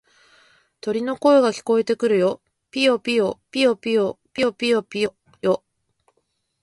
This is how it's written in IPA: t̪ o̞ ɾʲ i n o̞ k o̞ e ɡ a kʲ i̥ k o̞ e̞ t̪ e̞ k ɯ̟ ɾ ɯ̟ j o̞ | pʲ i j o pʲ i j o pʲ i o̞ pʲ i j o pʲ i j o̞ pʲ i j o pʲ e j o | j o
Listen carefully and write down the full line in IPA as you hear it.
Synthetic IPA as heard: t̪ o̞ ɾʲ i n o̞ k o̞ e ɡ a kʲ i̥ k o̞ e̞ t̪ e̞ k ɯ̟ ɾ ɯ̟ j o̞ | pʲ i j o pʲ i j o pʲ i o̞ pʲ i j o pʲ i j o̞ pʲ i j o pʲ i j o | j o